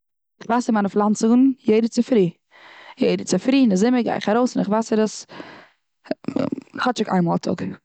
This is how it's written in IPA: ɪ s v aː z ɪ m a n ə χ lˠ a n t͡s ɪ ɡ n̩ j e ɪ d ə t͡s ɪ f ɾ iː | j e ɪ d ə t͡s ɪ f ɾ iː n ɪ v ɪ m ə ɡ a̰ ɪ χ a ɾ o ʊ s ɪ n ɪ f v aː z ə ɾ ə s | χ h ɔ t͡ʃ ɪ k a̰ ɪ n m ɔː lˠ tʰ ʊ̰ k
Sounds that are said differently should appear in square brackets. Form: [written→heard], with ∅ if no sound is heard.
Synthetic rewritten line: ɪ [s→χ] v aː [z→s] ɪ m a n ə [χ→f] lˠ a n t͡s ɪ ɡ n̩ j e ɪ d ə t͡s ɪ f ɾ iː | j e ɪ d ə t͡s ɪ f ɾ iː n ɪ [v→z] ɪ m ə ɡ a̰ ɪ χ a ɾ o ʊ s ɪ n ɪ [f→χ] v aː [z→s] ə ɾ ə s | χ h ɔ t͡ʃ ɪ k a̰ ɪ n m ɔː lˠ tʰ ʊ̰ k

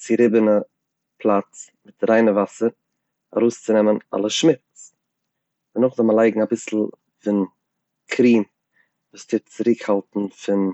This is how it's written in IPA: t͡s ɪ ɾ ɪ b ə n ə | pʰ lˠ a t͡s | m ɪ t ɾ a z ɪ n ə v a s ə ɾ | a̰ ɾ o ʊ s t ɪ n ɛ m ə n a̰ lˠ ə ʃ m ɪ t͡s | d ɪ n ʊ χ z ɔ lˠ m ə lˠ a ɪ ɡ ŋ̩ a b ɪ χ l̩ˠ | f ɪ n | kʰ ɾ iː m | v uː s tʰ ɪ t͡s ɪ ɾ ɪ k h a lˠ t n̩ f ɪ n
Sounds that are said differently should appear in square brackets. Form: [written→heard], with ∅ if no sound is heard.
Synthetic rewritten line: t͡s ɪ ɾ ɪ b ə n ə | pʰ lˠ a t͡s | m ɪ t ɾ a [z→∅] ɪ n ə v a s ə ɾ | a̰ ɾ o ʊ s [t→t͡s] ɪ n ɛ m ə n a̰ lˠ ə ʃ m ɪ t͡s | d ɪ n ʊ χ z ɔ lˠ m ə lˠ a ɪ ɡ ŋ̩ a b ɪ [χ→s] l̩ˠ | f ɪ n | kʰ ɾ iː m | v uː s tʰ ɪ t͡s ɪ ɾ ɪ k h a lˠ t n̩ f ɪ n

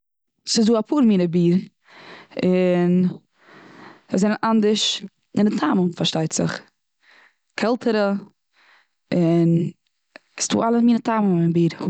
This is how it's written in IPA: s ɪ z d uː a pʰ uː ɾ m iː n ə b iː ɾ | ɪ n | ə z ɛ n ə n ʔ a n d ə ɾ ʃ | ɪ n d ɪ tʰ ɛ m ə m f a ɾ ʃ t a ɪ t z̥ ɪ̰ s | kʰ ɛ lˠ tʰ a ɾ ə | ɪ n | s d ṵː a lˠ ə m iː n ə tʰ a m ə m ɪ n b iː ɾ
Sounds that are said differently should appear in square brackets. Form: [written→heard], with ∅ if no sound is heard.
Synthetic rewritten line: s ɪ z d uː a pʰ uː ɾ m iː n ə b iː ɾ | ɪ n | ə z ɛ n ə n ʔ a n d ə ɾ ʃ | ɪ n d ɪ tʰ [ɛ→a] m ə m f a ɾ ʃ t a ɪ t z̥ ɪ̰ [s→χ] | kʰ ɛ lˠ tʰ [a→ə] ɾ ə | ɪ n | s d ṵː a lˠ ə m iː n ə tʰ a m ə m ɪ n b iː ɾ

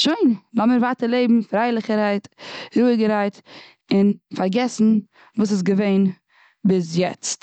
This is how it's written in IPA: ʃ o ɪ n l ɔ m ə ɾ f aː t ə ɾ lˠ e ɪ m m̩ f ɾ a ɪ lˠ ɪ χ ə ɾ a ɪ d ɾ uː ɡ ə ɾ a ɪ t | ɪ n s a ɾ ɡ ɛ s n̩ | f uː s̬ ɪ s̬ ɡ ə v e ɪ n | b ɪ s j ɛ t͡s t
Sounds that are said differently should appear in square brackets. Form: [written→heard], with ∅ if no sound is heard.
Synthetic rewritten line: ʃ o ɪ n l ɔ m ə ɾ [f→v] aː t ə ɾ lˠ e ɪ [m→b] m̩ f ɾ a ɪ lˠ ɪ χ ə ɾ a ɪ [d→t] ɾ uː ɡ ə ɾ a ɪ t | ɪ n [s→f] a ɾ ɡ ɛ s n̩ | [f→v] uː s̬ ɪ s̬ ɡ ə v e ɪ n | b ɪ s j ɛ t͡s t

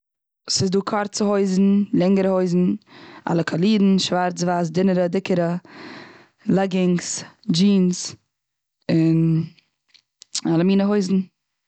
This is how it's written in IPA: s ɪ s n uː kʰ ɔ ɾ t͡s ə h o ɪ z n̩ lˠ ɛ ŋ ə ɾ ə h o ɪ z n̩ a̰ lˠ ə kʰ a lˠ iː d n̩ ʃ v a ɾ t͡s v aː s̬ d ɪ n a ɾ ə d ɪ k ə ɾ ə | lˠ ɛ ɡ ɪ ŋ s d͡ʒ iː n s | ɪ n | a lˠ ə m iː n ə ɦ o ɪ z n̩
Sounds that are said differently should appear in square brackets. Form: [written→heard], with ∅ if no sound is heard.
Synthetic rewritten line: s ɪ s [n→d] uː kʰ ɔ ɾ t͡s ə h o ɪ z n̩ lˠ ɛ ŋ ə ɾ ə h o ɪ z n̩ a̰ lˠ ə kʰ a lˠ iː d n̩ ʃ v a ɾ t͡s v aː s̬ d ɪ n [a→ə] ɾ ə d ɪ k ə ɾ ə | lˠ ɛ ɡ ɪ ŋ s d͡ʒ iː n s | ɪ n | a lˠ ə m iː n ə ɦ o ɪ z n̩

